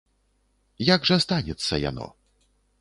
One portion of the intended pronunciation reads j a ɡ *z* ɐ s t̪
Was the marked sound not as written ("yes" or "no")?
yes